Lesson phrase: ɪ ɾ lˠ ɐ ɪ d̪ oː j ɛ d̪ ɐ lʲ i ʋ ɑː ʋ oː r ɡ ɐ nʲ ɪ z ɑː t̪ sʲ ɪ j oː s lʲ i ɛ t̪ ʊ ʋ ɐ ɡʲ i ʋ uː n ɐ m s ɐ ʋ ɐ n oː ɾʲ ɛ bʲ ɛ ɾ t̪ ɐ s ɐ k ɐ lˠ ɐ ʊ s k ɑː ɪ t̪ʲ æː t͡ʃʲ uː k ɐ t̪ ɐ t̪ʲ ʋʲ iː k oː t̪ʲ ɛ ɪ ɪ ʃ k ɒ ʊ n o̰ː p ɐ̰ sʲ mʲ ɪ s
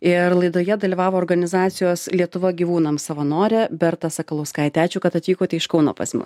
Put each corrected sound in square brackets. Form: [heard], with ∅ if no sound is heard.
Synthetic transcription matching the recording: ɪ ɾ lˠ ɐ ɪ d̪ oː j ɛ d̪ ɐ lʲ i ʋ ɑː ʋ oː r ɡ ɐ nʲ ɪ z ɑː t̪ sʲ ɪ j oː s lʲ i ɛ t̪ ʊ ʋ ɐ ɡʲ i ʋ uː n ɐ m s ɐ ʋ ɐ n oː ɾʲ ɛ bʲ ɛ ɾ t̪ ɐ s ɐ k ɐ lˠ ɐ ʊ s k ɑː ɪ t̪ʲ æː t͡ʃʲ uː k ɐ t̪ ɐ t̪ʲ ʋʲ iː k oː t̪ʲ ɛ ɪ ɪ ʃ k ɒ ʊ n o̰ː p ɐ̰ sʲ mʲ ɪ s